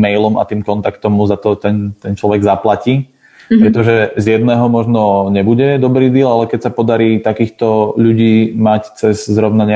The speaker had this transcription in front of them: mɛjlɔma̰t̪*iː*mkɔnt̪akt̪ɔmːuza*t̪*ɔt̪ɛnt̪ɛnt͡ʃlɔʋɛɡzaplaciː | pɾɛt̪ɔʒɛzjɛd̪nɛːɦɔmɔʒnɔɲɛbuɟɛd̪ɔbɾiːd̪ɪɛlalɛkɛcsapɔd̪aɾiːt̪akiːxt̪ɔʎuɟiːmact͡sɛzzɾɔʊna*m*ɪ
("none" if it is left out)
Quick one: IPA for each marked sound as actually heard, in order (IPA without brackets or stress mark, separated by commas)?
iː, t̪, ɲ